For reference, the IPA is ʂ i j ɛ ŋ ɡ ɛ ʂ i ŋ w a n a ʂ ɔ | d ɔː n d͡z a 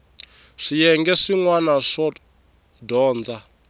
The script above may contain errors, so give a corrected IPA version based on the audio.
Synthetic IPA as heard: ʂ i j ɛ ŋ ɡ ɛ ʂ i ŋ w a n a ʂ ɔ | d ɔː n d͡z a